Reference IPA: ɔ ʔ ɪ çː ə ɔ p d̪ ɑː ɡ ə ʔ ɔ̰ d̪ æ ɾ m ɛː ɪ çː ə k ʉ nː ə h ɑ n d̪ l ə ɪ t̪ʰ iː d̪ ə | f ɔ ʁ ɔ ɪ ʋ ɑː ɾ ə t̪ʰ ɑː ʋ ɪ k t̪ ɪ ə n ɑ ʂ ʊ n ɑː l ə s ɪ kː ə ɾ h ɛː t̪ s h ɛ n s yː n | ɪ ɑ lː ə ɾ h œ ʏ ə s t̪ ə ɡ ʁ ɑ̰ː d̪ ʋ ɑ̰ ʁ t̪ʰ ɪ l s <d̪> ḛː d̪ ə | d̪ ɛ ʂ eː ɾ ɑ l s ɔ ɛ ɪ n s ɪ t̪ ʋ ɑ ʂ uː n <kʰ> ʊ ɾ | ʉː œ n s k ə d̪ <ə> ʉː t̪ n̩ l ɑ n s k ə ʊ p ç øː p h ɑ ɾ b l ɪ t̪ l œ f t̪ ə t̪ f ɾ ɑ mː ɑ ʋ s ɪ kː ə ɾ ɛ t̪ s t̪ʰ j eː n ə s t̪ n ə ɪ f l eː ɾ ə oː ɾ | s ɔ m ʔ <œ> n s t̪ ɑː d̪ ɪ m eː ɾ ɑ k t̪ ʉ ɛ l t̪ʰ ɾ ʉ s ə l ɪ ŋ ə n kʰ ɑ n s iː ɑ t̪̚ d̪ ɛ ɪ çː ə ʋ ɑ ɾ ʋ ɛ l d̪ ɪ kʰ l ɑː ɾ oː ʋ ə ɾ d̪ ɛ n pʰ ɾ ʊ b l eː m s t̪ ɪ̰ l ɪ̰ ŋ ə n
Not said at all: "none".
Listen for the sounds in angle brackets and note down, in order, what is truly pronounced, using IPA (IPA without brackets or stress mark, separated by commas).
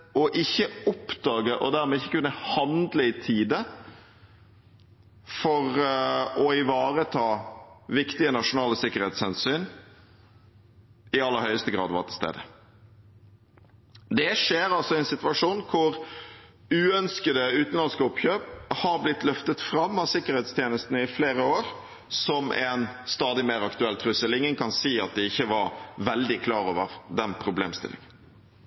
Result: t̪, kʰ, ə, ɛ